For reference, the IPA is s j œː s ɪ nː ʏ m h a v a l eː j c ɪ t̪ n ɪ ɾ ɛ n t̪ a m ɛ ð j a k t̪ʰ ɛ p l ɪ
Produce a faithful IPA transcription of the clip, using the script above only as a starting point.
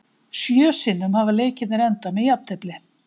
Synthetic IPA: s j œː s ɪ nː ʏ m h a v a l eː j c ɪ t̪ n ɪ ɾ ɛ n t̪ a m ɛ ð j a p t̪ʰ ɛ p l ɪ